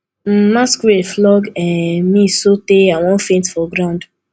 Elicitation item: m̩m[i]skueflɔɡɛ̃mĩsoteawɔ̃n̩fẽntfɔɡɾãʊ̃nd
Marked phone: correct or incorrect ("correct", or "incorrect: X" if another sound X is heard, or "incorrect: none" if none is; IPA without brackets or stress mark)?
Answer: incorrect: a